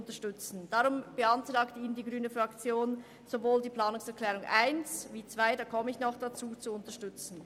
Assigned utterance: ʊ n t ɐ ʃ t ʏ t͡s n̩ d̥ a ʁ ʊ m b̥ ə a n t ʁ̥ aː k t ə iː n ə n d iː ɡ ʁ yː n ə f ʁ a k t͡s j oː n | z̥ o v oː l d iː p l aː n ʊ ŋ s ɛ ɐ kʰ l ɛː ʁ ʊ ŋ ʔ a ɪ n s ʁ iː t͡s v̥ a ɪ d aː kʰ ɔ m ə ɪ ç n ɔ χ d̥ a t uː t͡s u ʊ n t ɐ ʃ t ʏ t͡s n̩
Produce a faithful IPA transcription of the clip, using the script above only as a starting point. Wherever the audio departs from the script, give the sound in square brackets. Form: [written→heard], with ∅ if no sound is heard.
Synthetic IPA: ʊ n t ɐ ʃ t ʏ t͡s n̩ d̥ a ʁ ʊ m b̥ ə a n t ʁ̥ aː k t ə iː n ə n d iː ɡ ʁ yː n ə f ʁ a k t͡s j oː n | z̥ o v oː l d iː p l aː n ʊ ŋ s ɛ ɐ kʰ l ɛː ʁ ʊ ŋ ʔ a ɪ n s [ʁ→v] iː t͡s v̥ a ɪ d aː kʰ ɔ m ə ɪ ç n ɔ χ d̥ a [t→t͡s] uː t͡s u ʊ n t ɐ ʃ t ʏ t͡s n̩